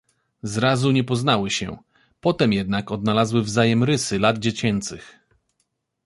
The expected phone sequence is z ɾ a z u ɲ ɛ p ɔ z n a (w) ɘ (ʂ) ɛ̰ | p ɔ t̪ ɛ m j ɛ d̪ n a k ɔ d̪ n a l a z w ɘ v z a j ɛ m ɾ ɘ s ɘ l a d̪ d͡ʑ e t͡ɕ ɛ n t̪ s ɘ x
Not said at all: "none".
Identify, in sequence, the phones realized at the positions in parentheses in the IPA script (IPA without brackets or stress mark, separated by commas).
w, ɕ